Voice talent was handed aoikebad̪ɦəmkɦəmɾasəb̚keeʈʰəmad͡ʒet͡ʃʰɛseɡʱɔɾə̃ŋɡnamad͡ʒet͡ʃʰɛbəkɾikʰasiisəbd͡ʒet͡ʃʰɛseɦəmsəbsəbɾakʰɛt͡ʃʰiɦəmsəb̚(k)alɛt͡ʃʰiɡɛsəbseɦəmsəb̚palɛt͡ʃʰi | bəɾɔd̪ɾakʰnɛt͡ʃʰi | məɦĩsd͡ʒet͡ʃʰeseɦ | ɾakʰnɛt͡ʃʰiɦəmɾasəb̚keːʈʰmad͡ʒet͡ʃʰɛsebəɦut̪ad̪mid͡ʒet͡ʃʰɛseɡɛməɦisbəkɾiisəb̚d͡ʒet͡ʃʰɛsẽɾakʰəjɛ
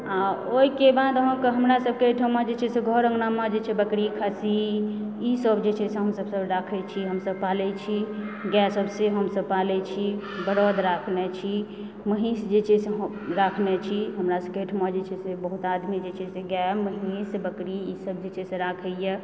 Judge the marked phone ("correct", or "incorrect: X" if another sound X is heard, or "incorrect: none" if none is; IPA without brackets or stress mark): incorrect: p